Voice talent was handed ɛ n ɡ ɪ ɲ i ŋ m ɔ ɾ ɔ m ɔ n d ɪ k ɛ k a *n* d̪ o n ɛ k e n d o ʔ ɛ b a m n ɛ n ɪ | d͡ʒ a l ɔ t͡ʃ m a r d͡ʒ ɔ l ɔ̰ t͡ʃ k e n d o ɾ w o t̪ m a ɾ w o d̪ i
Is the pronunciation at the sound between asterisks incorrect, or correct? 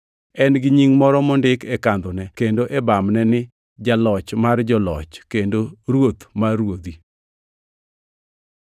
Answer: correct